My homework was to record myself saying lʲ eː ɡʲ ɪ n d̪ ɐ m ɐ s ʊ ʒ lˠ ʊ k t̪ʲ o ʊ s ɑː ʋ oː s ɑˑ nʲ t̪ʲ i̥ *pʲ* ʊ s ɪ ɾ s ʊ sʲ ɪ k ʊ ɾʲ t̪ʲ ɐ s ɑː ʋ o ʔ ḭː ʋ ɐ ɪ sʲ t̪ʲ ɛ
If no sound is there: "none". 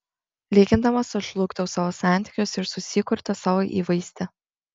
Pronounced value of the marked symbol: kʲ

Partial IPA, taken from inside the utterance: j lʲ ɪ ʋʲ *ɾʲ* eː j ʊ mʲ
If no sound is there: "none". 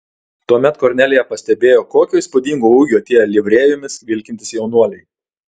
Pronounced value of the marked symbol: ɾʲ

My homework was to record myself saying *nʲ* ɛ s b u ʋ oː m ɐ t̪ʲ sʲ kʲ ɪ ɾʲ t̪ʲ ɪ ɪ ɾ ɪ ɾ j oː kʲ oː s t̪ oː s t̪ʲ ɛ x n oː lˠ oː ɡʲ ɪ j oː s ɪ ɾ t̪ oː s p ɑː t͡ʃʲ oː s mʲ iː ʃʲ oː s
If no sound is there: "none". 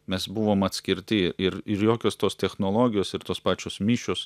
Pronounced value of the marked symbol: mʲ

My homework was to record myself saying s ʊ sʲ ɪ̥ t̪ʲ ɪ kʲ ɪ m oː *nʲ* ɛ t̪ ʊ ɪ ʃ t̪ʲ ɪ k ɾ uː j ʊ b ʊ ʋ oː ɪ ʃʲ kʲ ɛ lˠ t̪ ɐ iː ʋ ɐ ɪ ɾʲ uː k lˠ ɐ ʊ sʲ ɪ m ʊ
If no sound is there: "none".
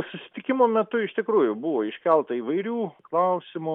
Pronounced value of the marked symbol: mʲ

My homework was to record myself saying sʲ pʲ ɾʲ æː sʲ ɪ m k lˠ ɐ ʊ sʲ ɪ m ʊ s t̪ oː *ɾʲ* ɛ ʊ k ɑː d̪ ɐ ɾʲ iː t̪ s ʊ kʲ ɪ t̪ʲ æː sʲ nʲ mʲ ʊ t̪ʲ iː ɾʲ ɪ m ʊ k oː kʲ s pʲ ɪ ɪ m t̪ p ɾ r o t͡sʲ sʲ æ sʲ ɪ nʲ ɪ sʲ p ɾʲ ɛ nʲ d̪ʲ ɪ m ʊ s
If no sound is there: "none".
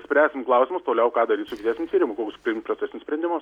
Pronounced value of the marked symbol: lʲ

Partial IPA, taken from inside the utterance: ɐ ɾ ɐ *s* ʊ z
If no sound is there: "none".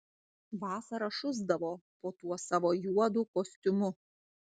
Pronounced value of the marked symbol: ʃ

